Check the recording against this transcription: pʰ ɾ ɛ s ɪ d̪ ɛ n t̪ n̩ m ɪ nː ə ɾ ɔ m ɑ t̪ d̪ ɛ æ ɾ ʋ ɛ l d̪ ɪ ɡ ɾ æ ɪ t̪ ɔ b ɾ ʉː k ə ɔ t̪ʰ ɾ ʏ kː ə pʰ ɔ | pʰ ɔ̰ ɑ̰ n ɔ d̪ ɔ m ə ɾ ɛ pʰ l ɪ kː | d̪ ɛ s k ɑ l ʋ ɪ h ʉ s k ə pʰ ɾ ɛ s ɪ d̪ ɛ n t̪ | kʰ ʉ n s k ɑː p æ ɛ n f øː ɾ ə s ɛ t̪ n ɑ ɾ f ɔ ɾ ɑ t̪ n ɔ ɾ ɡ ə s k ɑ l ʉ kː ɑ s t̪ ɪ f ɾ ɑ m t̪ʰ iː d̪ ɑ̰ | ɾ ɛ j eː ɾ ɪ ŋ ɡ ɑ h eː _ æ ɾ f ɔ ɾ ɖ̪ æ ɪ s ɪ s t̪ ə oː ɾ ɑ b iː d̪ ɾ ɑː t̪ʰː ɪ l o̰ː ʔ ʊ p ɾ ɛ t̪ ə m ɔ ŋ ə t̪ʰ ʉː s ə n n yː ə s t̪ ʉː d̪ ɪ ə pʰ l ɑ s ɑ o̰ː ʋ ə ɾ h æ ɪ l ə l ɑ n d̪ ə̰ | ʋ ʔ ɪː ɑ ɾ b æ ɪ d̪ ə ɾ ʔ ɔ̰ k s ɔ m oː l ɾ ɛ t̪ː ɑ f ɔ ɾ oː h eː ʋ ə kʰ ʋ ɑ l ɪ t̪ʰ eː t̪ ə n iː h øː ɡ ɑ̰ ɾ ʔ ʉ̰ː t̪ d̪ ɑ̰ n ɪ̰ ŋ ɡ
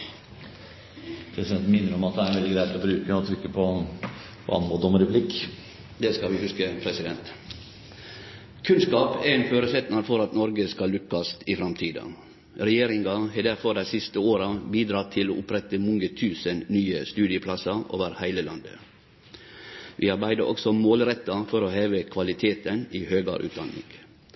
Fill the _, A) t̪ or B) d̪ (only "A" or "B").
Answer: B